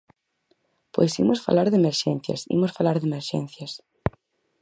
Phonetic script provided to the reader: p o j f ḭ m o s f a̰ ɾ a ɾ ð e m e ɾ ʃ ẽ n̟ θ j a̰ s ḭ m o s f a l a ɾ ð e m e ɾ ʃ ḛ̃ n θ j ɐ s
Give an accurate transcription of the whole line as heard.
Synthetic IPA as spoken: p o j s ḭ m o s f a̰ l a ɾ ð e m e ɾ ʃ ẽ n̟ θ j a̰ s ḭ m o s f a l a ɾ ð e m e ɾ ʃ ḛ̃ n θ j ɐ s